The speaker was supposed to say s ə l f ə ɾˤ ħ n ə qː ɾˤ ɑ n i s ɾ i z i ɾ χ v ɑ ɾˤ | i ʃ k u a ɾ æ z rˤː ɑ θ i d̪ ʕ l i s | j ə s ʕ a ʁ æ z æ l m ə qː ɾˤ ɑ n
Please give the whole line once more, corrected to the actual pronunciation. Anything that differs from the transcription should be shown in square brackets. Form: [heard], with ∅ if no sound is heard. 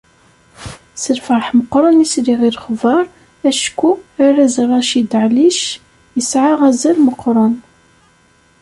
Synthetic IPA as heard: s ə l f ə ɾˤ ħ [m] ə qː ɾˤ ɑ n i s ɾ i [ʁ] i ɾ χ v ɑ ɾˤ | [æ] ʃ k u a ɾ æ z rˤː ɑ [ʃ] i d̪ ʕ l i [ʃ] | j ə s ʕ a ʁ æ z æ l m ə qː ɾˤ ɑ n